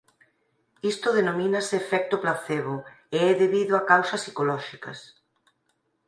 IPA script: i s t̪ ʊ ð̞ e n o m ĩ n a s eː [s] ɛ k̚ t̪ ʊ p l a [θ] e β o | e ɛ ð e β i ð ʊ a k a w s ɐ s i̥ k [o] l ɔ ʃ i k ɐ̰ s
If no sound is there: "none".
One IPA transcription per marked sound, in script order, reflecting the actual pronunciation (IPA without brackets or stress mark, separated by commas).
f, θ, o